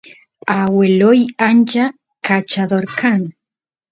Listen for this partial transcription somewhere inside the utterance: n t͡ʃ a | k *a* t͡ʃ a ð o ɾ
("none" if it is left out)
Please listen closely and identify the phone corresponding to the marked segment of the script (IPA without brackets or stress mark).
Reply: a